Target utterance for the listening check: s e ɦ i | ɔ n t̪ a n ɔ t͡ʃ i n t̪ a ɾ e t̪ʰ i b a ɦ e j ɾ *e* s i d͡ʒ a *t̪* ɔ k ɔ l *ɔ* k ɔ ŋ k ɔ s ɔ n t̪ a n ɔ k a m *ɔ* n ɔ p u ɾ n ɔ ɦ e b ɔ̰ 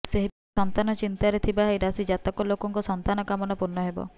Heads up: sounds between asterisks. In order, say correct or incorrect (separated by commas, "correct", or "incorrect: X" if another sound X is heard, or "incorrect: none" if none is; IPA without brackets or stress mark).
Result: incorrect: a, correct, incorrect: o, correct